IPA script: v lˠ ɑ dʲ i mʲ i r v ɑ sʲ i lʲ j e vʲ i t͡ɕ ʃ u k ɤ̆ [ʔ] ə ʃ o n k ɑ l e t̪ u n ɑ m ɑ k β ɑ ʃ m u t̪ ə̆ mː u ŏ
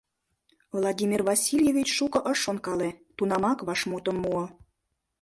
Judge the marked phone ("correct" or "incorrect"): correct